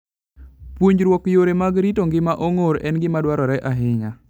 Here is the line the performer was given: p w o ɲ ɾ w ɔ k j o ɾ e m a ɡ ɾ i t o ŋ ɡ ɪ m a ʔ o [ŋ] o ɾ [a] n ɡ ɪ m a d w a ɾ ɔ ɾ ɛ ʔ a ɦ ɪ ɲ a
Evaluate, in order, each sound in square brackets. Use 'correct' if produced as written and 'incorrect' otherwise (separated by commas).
correct, incorrect